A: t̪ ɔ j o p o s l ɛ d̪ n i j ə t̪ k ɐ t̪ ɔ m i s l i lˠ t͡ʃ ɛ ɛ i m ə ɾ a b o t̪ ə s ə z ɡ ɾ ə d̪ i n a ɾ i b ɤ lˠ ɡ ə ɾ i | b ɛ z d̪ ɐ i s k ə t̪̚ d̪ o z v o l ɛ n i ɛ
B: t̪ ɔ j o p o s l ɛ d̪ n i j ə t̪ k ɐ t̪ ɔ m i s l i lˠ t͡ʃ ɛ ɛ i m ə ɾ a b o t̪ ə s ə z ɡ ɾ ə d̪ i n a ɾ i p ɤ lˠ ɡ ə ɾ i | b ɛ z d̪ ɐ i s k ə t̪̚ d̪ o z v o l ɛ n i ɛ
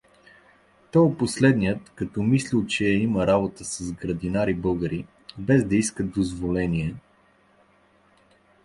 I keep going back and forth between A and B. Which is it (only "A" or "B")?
A